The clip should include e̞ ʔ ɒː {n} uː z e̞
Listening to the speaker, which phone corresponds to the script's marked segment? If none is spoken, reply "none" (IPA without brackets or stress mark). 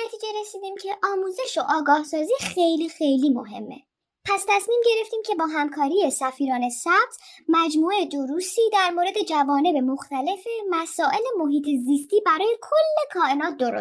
m